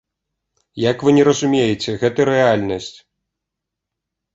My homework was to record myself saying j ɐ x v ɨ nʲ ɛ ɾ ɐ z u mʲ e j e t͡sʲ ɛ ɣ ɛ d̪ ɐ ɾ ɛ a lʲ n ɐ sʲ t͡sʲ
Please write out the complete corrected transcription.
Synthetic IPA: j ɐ k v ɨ nʲ ɛ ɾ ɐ z u mʲ e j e t͡sʲ ɛ ɣ ɛ t̪ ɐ ɾ ɛ a lʲ n ɐ sʲ t͡sʲ